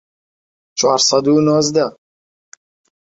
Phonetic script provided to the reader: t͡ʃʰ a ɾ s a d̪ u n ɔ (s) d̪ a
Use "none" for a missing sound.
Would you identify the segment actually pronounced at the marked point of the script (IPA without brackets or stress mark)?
z